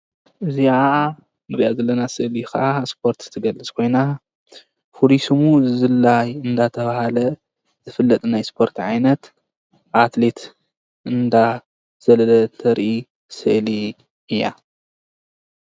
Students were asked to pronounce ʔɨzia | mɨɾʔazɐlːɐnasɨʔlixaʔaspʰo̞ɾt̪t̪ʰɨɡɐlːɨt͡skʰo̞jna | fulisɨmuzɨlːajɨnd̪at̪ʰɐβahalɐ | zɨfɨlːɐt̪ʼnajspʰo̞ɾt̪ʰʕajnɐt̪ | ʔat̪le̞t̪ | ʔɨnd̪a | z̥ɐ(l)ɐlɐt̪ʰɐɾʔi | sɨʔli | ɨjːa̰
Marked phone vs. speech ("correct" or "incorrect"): correct